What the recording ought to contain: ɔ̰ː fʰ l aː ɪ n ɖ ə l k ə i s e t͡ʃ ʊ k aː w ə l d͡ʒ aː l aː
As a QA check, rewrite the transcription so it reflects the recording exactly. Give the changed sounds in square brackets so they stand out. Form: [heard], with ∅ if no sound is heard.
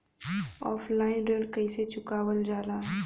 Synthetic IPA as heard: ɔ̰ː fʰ l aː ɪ n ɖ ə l k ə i s e t͡ʃ ʊ k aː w ə l d͡ʒ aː l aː